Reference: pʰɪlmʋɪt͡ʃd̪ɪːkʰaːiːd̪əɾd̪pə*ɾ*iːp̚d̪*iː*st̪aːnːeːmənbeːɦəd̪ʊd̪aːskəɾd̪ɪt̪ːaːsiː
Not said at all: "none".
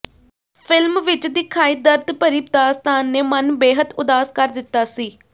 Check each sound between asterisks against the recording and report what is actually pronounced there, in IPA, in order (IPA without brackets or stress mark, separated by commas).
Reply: ɾ, aː